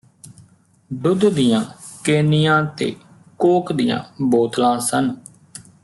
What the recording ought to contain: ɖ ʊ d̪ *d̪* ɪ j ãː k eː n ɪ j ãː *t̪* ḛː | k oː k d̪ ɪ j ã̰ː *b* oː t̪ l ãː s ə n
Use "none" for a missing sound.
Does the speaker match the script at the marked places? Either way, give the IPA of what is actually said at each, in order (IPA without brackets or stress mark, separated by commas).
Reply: d̪, t̪, b